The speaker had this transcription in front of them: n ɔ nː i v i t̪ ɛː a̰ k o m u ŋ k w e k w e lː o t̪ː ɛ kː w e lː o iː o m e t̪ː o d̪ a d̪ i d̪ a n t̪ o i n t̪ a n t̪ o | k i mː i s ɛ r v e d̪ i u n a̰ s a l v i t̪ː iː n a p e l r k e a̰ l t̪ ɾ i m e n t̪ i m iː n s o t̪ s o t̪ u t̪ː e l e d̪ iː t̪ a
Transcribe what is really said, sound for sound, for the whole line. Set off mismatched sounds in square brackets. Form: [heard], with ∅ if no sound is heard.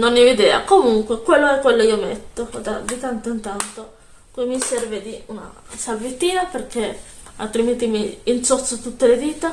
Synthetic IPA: n [o] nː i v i [d̪] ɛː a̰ k o m u ŋ k w e k w e lː o [∅] ɛ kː w e lː o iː o m e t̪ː o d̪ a d̪ i [t̪] a n t̪ o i n t̪ a n t̪ o | k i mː i s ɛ r v e d̪ i u n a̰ s a l v i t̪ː iː n a p e [∅] r k e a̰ l t̪ ɾ i m e n t̪ i m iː n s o t̪ s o t̪ u t̪ː e l e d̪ iː t̪ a